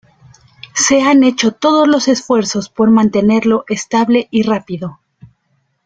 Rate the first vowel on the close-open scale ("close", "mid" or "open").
mid